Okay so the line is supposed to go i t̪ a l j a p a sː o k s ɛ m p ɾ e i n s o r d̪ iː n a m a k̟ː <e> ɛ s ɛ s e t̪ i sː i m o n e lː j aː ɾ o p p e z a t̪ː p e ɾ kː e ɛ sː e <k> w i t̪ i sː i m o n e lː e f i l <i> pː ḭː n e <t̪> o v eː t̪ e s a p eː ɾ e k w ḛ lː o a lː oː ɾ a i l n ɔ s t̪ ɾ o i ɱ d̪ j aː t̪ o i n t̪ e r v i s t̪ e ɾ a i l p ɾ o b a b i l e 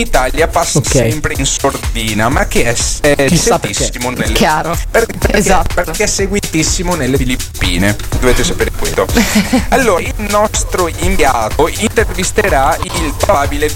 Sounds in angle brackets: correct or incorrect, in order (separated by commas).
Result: correct, incorrect, correct, incorrect